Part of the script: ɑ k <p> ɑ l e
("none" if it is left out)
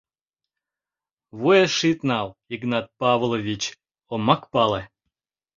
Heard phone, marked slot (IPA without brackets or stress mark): p